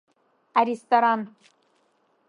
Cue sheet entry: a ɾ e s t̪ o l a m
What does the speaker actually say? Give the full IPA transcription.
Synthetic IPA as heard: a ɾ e s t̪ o ɾ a n